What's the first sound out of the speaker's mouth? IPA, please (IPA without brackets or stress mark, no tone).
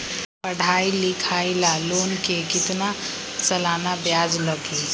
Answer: p